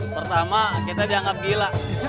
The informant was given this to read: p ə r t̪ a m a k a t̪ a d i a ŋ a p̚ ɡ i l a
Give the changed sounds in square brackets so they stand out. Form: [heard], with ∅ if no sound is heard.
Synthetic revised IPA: p ə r t̪ a m a k [i] t̪ a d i a ŋ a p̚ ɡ i l a